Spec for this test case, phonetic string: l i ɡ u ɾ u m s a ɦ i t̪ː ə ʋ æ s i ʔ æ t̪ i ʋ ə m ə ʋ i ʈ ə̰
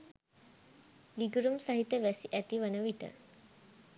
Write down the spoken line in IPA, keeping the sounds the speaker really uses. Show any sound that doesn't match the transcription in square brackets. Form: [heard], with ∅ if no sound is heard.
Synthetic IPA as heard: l i ɡ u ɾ u m s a ɦ i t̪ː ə ʋ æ s i ʔ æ t̪ i ʋ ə [n] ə ʋ i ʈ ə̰